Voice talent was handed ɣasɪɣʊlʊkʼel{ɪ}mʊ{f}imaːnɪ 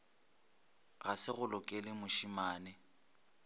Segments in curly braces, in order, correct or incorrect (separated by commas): correct, incorrect